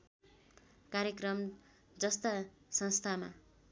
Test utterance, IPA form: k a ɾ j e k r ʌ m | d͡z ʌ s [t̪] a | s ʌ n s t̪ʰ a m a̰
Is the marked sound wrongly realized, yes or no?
no